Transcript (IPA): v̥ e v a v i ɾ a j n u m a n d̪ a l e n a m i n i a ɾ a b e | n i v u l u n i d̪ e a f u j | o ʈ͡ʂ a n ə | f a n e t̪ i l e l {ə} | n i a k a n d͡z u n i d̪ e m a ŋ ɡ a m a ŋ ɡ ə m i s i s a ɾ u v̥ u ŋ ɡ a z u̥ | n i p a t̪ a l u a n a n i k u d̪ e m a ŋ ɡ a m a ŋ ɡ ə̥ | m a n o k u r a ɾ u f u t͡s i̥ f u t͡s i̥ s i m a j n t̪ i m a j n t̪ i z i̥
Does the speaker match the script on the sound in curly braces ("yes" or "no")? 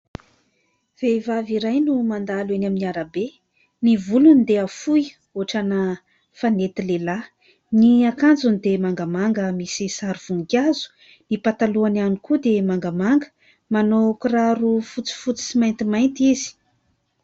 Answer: no